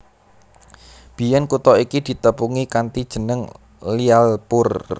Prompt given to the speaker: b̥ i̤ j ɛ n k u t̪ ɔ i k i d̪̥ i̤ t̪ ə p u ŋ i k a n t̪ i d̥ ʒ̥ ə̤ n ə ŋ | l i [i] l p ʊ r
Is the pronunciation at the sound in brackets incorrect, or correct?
incorrect